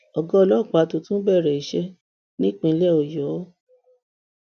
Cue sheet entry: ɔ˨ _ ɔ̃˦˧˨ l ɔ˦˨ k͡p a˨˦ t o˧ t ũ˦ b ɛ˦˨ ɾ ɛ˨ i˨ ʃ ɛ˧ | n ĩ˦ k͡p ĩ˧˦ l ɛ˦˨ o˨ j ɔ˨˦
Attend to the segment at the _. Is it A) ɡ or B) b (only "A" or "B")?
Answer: A